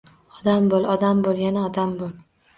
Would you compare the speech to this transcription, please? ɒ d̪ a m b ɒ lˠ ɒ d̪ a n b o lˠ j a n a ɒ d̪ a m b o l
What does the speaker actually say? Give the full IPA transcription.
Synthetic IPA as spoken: ɒ d̪ a m b o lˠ ɒ d̪ a m b o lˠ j a n a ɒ d̪ a m b o l